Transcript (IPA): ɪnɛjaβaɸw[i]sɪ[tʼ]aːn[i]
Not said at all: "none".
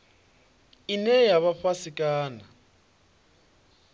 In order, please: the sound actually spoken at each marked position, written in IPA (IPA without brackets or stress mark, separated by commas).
a, kʼ, a